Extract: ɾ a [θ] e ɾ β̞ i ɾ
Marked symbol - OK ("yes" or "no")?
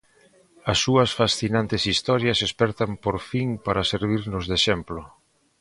no